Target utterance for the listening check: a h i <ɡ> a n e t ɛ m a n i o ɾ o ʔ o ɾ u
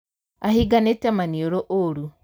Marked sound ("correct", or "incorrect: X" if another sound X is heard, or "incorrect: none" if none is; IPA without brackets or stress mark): correct